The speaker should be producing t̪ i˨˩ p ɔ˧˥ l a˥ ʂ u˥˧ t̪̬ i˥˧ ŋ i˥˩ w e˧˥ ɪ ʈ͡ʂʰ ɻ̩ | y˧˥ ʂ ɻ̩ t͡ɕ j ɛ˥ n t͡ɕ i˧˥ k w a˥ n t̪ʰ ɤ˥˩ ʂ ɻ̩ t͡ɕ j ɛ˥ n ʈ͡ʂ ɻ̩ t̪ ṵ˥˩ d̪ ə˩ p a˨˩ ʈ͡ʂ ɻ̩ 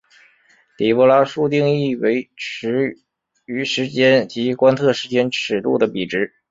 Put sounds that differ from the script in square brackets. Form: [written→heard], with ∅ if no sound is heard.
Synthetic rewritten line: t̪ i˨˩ p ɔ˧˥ l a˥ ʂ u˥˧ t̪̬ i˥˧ ŋ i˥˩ w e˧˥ ɪ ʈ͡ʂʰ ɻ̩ | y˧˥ ʂ ɻ̩ t͡ɕ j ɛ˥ n t͡ɕ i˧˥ k w a˥ n t̪ʰ ɤ˥˩ ʂ ɻ̩ t͡ɕ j ɛ˥ n [ʈ͡ʂ→ʈ͡ʂʰ] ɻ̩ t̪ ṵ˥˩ d̪ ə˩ p [a˨˩→i˨˩] ʈ͡ʂ ɻ̩